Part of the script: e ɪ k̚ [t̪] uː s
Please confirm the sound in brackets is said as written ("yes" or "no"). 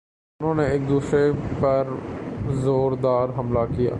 no